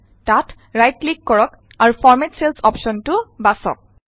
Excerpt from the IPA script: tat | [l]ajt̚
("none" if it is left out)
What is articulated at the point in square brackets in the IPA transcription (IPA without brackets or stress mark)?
ɹ